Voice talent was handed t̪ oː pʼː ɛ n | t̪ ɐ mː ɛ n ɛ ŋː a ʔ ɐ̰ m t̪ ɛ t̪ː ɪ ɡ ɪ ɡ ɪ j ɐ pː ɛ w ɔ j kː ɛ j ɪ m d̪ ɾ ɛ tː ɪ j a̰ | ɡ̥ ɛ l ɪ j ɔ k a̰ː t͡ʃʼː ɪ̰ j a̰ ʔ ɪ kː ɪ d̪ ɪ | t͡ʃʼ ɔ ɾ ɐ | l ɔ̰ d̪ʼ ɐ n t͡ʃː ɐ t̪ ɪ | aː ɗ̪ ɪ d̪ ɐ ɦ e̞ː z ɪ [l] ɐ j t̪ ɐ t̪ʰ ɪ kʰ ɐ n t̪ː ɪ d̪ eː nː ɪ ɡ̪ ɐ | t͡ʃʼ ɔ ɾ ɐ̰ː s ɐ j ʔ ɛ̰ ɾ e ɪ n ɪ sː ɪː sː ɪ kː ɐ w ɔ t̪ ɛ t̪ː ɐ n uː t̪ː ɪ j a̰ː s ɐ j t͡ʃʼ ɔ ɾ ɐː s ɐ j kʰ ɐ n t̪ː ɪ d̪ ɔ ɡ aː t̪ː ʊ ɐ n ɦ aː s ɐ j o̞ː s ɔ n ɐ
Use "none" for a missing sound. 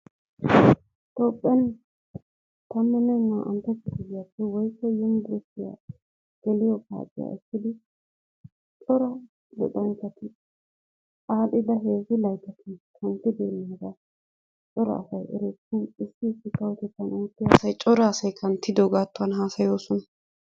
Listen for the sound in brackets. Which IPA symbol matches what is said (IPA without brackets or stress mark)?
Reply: l